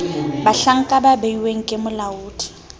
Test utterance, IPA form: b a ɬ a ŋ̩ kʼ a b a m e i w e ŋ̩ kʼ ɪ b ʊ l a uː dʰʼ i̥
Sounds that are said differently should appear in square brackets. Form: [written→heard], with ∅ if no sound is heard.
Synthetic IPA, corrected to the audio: b a ɬ a ŋ̩ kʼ a b a [m→b] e i w e ŋ̩ kʼ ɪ [b→m] ʊ l a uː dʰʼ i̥

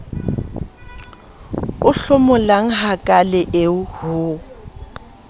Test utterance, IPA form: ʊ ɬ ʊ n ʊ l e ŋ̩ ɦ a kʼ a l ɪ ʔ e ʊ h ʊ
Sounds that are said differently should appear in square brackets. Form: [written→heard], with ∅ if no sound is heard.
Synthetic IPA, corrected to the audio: ʊ ɬ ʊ [n→m] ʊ l [e→a] ŋ̩ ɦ a kʼ a l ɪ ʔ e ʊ h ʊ

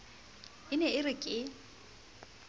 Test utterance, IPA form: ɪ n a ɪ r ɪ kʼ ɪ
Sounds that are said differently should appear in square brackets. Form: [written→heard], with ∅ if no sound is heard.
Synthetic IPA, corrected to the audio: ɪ n [a→ɛ] ɪ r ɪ kʼ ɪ

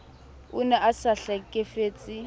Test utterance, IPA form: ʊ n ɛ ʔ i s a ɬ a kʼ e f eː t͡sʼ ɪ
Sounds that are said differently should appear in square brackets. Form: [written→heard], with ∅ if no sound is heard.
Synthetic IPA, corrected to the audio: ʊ n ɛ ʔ [i→a] s a ɬ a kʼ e f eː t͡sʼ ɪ

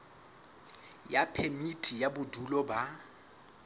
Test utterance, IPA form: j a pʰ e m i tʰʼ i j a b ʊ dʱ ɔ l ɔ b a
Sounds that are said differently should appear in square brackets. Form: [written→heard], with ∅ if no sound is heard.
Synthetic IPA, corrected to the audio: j a pʰ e m i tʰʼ i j a b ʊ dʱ [ɔ→u] l ɔ b a

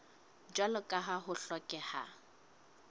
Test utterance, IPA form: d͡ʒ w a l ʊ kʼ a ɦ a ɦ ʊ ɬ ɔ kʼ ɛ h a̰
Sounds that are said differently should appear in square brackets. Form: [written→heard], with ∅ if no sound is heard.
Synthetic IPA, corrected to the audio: d͡ʒ w a l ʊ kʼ a ɦ a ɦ ʊ ɬ ɔ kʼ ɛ h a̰

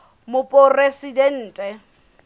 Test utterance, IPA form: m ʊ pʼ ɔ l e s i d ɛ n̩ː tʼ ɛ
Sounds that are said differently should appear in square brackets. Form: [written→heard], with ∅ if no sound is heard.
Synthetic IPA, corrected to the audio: m ʊ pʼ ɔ [l→r] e s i d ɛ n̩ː tʼ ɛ

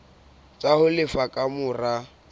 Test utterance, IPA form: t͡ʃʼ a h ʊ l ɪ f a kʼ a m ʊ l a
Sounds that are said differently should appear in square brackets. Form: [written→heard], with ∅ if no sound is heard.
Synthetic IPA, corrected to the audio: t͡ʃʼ a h ʊ l ɪ f a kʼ a m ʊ [l→r] a

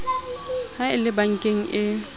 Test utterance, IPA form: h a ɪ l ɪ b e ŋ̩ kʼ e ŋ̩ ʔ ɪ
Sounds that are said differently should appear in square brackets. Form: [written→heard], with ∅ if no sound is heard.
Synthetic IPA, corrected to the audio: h a ɪ l ɪ b [e→a] ŋ̩ kʼ e ŋ̩ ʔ ɪ

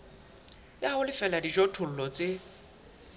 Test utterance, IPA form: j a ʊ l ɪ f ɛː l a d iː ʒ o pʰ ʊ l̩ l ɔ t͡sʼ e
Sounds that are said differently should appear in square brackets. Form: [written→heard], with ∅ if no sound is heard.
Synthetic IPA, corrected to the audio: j a ʊ l ɪ f [ɛː→ɛ] l a d [iː→i] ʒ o [pʰ→tʰ] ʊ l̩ l ɔ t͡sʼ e

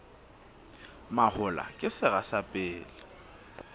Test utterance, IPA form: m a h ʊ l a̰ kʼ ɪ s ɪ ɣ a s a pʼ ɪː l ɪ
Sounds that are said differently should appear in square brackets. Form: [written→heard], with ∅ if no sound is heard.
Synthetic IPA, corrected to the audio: m a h ʊ l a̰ kʼ ɪ s ɪ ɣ a s a pʼ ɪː l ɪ

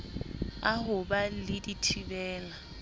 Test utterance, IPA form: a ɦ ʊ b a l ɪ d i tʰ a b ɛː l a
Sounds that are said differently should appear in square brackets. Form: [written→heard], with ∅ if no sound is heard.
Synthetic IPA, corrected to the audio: a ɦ ʊ b a l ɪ d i tʰ [a→i] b ɛː l a

